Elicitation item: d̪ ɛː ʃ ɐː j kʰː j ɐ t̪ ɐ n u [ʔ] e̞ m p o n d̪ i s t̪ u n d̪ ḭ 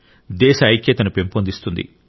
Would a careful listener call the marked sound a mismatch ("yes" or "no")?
yes